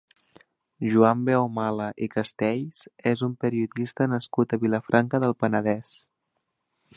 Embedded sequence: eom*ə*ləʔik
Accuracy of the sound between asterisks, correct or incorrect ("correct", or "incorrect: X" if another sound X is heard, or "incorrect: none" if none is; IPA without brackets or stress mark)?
incorrect: a